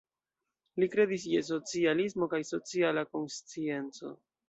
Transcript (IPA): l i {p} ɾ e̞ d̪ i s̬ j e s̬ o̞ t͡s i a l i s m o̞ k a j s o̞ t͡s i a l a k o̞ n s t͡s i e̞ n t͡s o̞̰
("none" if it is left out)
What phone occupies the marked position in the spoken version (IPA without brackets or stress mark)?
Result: k